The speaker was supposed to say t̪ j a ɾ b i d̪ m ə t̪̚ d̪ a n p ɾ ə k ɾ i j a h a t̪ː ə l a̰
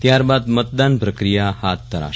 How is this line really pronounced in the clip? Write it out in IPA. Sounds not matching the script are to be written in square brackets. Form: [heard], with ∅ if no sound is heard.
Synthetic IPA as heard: t̪ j a ɾ b [a] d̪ m ə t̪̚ d̪ a n p ɾ ə k ɾ i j a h a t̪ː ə [ɾ] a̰